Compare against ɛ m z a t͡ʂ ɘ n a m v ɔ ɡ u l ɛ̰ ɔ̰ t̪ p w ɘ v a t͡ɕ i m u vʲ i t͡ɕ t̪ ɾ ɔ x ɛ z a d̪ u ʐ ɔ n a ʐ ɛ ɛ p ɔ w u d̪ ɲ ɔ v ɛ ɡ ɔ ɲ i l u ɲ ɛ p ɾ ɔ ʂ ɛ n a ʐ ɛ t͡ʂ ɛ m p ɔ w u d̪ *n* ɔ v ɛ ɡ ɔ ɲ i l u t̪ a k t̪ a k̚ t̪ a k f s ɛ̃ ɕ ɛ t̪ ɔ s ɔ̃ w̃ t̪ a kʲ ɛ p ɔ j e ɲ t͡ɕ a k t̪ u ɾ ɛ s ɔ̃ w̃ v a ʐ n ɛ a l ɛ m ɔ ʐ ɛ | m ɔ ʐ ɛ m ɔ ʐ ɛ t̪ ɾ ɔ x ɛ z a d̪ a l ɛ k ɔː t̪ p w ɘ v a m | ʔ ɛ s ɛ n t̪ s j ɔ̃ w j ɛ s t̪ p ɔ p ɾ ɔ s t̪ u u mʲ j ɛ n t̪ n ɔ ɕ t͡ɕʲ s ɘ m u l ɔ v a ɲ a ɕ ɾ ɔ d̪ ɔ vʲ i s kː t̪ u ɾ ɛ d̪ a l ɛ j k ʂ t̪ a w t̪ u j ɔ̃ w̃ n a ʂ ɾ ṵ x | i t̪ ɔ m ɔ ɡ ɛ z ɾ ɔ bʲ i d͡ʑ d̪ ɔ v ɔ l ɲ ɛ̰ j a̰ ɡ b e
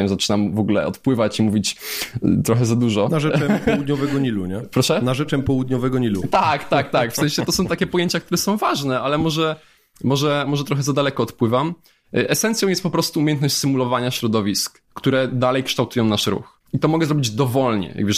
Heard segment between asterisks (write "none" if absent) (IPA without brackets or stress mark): ɲ